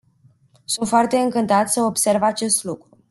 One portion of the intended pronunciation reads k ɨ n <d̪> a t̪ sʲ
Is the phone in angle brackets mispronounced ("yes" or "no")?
yes